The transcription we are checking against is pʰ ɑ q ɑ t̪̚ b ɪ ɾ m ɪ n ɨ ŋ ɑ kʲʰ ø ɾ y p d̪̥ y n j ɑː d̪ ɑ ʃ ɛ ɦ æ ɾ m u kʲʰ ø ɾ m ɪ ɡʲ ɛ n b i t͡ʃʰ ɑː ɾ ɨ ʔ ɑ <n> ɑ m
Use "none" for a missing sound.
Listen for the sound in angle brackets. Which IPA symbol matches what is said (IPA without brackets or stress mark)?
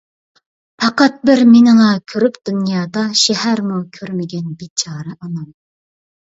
n